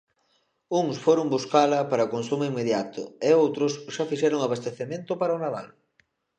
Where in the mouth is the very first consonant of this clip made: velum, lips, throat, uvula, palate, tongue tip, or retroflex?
velum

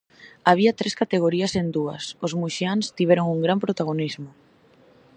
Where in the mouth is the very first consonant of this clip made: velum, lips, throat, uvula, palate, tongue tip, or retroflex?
lips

